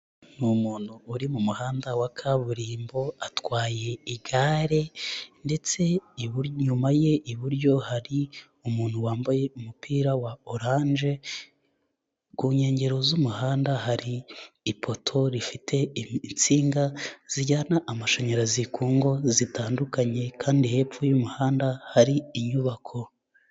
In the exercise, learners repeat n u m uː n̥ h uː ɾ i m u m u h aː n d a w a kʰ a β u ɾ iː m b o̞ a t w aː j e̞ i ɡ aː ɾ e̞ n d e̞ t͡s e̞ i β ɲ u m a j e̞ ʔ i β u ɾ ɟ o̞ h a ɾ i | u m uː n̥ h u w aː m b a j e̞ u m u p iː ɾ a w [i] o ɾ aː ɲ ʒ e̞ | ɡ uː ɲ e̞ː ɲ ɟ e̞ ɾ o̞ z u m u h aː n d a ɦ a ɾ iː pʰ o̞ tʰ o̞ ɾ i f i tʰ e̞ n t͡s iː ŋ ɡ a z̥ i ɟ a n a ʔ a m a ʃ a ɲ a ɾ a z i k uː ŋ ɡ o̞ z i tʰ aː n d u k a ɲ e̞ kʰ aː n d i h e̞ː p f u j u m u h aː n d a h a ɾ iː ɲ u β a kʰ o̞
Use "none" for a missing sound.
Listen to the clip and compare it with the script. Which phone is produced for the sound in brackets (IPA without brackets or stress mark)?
a